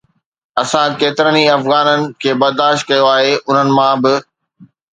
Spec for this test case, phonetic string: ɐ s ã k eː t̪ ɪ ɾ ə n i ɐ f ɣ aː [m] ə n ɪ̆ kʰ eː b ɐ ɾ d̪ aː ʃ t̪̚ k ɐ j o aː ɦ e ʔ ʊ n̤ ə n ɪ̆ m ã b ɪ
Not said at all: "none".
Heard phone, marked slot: n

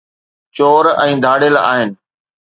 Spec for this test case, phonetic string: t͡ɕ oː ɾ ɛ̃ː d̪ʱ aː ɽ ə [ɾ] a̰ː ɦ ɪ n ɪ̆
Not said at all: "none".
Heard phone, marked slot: l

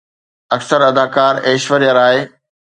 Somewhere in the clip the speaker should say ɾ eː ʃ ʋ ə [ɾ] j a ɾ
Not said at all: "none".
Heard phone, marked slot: ɾ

